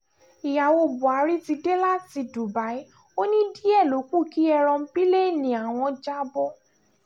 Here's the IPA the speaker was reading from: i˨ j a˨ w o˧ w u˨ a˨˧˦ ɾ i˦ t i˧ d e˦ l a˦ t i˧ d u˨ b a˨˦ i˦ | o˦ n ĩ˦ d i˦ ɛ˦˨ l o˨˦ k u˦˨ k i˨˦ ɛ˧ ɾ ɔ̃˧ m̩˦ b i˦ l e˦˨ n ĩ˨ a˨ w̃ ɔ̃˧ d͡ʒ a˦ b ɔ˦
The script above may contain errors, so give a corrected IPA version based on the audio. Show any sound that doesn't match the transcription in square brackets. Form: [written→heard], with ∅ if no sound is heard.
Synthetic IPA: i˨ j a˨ w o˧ [w→b] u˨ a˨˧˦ ɾ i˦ t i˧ d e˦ l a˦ t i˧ d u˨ b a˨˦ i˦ | o˦ n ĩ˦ d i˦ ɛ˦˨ l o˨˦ k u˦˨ k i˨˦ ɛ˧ ɾ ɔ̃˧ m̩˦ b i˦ l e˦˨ n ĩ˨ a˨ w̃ ɔ̃˧ d͡ʒ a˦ b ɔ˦